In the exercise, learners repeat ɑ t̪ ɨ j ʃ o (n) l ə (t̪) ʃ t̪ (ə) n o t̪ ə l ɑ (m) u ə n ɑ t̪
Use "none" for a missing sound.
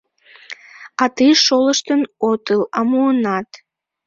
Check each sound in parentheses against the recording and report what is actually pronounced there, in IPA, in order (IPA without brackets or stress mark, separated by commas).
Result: none, none, ə, m